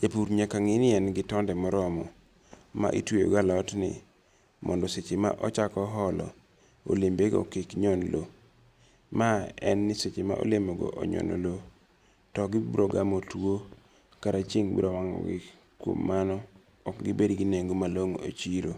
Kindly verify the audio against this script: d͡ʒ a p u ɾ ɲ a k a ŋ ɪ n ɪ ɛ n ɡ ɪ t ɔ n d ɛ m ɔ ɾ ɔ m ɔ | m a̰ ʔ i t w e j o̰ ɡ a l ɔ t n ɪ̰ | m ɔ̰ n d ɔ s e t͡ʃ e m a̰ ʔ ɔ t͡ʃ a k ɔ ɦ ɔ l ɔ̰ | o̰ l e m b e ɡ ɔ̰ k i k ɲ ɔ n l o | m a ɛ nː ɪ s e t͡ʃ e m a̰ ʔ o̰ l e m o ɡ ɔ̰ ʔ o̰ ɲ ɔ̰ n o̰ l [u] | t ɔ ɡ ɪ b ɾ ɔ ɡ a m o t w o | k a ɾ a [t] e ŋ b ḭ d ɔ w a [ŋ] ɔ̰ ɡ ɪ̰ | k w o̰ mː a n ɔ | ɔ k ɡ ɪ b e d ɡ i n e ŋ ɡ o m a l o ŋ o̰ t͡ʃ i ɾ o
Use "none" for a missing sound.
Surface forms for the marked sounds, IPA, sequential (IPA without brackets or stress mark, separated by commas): o, t͡ʃ, ŋ